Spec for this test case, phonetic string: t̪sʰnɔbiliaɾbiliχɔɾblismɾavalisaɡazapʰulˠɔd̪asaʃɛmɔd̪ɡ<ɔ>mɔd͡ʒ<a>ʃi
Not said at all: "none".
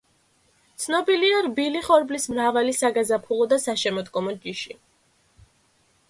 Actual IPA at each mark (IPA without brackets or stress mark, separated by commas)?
ɔ, i